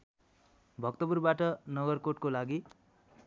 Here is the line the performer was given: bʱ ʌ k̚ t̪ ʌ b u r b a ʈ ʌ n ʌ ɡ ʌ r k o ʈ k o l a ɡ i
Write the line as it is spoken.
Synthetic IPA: bʱ ʌ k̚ t̪ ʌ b u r b a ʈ ʌ n ʌ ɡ ʌ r k o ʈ k o l a ɡ i